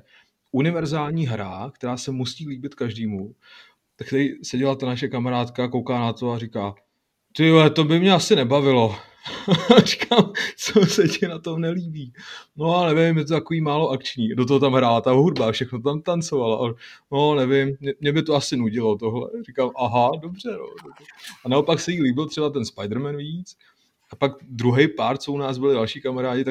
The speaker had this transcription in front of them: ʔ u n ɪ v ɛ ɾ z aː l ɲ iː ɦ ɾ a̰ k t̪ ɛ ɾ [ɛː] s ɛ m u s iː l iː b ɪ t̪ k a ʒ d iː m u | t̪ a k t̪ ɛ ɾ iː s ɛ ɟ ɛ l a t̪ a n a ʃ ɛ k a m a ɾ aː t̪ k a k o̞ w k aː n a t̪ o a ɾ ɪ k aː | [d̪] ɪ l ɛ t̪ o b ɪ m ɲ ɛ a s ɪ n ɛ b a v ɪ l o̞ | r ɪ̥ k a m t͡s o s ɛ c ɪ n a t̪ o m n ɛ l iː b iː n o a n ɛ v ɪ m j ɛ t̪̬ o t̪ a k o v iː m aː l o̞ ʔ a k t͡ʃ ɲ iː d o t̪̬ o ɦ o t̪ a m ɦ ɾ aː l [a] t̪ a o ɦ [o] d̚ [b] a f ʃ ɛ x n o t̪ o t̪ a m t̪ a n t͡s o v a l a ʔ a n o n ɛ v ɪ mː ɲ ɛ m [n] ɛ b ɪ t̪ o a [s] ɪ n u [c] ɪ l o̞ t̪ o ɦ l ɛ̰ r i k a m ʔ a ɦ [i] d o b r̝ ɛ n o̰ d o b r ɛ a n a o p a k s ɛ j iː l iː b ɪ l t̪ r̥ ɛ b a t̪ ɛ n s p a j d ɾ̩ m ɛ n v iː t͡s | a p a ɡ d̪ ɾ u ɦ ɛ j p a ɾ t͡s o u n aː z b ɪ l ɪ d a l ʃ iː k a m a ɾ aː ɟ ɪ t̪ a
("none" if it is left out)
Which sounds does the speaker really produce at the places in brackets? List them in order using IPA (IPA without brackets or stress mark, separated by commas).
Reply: aː, t̪, a, u, b, ɲ, s, ɟ, a